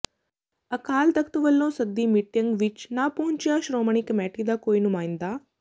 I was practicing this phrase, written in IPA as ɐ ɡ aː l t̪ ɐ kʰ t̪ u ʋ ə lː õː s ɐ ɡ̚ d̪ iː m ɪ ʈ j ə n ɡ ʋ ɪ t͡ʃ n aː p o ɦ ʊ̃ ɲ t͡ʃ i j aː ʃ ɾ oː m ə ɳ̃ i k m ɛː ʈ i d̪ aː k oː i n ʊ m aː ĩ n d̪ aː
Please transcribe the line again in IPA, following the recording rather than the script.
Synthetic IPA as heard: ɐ k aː l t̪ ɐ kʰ t̪ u ʋ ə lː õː s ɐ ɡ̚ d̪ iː m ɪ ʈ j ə ŋ ɡ ʋ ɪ t͡ʃ n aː p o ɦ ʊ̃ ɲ t͡ʃ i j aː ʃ ɾ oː m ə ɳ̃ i k m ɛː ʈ i d̪ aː k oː i n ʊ m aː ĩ n d̪ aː